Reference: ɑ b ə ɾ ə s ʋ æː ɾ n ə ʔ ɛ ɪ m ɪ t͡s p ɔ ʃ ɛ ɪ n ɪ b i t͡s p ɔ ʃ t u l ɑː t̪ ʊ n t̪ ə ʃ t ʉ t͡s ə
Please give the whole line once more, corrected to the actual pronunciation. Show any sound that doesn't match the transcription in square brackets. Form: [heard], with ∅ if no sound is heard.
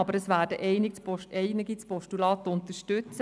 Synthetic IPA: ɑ b ə ɾ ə s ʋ æː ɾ [d] ə ʔ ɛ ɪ [n] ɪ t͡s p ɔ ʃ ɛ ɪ n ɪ [ɡ] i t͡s p ɔ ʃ t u l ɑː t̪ ʊ n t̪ ə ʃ t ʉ t͡s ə